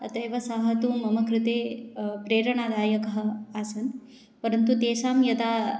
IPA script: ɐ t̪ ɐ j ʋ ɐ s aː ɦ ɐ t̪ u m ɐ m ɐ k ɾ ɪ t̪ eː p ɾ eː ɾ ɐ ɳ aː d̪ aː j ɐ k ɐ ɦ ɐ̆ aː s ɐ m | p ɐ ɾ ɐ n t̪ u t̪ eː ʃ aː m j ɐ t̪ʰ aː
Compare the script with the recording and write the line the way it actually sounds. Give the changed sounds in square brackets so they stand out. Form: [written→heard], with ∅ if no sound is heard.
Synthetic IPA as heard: ɐ t̪ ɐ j ʋ ɐ s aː ɦ ɐ t̪ u m ɐ m ɐ k ɾ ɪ t̪ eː p ɾ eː ɾ ɐ ɳ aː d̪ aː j ɐ k ɐ ɦ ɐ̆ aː s ɐ [m→n] | p ɐ ɾ ɐ n t̪ u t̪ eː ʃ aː m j ɐ [t̪ʰ→t̪] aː